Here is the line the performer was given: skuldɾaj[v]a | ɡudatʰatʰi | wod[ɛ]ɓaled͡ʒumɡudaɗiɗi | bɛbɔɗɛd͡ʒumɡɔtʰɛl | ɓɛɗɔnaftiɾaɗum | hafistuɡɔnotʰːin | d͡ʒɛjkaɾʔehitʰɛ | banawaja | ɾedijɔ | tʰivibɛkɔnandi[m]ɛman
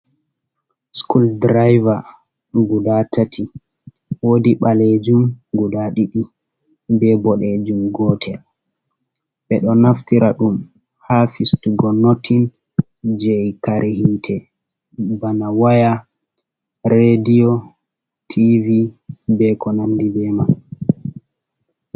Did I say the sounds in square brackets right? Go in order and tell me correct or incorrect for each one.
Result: correct, incorrect, incorrect

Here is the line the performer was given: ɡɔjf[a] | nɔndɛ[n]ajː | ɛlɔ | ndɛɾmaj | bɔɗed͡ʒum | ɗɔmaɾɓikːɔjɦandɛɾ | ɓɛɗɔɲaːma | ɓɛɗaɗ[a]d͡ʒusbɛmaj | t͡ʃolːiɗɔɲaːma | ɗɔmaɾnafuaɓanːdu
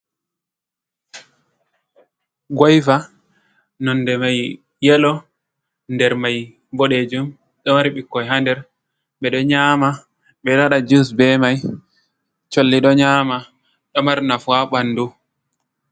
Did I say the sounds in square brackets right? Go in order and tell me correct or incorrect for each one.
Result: correct, incorrect, correct

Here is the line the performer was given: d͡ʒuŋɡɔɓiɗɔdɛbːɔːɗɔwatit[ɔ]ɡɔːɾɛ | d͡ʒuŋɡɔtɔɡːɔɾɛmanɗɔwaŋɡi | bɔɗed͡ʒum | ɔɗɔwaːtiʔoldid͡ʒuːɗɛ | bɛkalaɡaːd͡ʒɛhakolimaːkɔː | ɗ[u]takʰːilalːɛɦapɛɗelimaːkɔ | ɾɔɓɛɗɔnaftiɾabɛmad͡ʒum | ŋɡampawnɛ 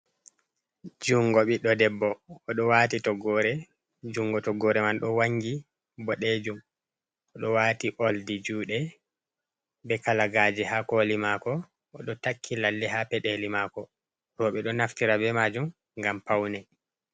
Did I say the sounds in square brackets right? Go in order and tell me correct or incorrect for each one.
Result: correct, incorrect

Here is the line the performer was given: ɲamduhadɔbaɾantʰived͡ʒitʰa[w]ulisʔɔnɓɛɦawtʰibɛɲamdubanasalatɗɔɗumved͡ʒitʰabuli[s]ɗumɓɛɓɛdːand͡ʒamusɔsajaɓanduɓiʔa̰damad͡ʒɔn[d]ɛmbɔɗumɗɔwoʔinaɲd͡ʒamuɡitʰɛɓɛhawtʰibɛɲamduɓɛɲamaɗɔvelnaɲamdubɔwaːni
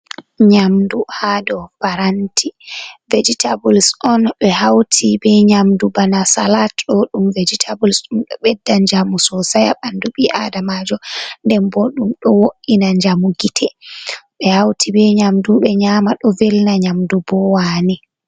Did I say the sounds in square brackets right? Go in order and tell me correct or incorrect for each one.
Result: incorrect, correct, correct

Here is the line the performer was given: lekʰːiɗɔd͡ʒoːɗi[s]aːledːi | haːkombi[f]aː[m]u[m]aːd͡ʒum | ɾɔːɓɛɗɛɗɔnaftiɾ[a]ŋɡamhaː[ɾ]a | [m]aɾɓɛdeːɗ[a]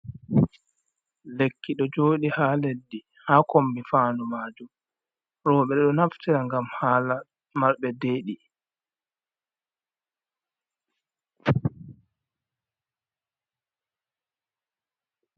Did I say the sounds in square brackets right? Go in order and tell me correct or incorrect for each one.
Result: incorrect, correct, incorrect, correct, correct, incorrect, correct, incorrect

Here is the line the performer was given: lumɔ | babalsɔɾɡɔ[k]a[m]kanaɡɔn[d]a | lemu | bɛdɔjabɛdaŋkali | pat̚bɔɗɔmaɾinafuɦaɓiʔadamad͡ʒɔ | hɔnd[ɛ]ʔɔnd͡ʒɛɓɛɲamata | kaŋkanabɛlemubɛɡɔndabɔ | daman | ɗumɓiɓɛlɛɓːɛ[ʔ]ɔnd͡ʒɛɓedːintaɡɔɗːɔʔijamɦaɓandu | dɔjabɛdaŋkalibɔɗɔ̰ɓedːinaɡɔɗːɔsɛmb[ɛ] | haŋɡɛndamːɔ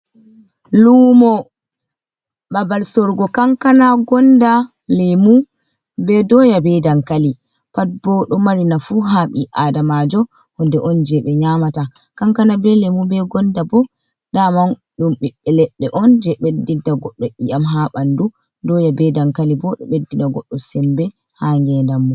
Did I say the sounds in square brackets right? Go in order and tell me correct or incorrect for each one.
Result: correct, incorrect, correct, correct, correct, correct

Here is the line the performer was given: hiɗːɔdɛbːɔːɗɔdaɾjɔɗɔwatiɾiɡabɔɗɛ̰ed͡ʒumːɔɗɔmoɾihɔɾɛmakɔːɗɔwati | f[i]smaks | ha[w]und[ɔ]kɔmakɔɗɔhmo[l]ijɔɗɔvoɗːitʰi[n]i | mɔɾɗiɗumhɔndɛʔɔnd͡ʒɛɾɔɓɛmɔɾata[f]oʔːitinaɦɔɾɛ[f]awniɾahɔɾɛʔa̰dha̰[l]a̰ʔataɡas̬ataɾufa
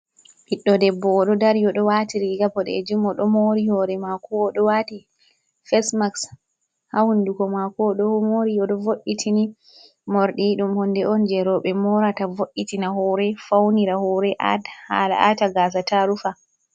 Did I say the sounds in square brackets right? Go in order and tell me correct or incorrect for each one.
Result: incorrect, correct, incorrect, incorrect, correct, incorrect, correct, correct

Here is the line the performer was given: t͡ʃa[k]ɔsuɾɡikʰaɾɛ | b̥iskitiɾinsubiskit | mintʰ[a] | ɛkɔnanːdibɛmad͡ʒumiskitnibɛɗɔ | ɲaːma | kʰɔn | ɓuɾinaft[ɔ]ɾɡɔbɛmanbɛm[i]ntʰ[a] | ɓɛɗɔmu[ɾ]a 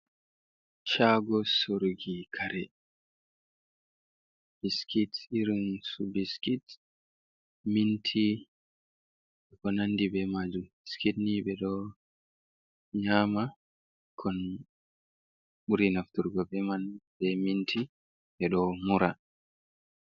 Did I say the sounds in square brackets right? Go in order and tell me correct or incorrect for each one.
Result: incorrect, incorrect, incorrect, correct, incorrect, correct

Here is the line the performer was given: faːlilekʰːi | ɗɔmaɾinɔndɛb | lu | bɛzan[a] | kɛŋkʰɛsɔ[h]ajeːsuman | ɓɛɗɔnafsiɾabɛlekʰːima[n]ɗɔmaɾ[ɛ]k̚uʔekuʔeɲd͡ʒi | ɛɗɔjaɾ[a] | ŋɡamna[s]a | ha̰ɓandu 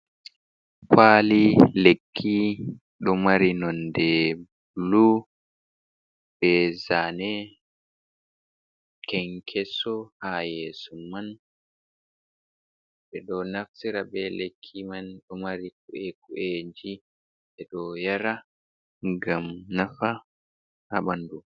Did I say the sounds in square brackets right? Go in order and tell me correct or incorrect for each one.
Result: incorrect, correct, correct, incorrect, correct, incorrect

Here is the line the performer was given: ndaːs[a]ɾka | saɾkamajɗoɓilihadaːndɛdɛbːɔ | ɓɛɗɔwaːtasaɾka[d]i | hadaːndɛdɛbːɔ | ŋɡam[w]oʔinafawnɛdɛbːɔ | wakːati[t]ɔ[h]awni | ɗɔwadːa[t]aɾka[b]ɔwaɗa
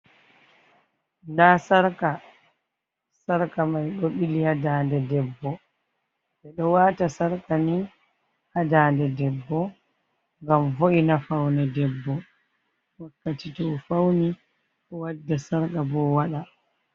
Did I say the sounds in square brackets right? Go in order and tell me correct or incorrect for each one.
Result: correct, incorrect, incorrect, correct, incorrect, incorrect, correct

